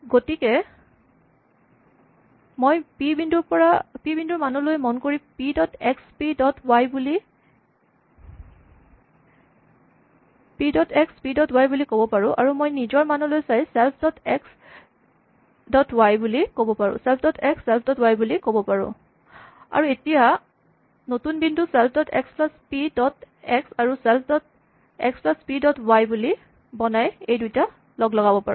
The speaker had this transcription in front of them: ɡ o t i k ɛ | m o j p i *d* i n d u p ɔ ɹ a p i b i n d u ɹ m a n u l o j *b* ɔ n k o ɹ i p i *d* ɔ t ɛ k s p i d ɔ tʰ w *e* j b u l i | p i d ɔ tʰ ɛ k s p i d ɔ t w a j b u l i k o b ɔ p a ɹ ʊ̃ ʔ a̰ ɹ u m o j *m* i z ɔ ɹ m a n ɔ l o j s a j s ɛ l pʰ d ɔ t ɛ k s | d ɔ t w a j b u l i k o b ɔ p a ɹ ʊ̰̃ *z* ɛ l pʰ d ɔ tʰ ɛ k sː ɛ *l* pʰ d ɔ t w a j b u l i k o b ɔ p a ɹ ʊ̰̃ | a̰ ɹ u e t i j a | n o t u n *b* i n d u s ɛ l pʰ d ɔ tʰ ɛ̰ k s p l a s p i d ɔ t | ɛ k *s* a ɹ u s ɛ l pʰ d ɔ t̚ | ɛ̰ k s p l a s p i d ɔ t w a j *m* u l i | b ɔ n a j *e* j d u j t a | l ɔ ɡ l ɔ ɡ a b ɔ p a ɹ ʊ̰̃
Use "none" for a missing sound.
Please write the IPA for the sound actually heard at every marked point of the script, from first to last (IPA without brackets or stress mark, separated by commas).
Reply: b, m, d, a, n, s, l, b, s, b, e